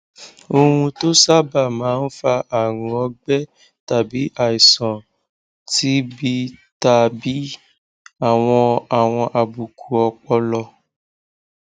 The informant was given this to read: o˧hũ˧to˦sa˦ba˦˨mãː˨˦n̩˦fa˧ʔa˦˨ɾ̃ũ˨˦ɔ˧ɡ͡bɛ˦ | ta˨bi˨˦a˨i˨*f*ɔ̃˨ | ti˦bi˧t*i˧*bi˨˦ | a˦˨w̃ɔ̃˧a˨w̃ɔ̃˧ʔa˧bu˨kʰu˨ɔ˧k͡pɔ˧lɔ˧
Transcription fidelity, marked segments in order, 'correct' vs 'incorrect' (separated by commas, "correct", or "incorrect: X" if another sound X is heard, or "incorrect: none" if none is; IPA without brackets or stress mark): incorrect: s, incorrect: a˧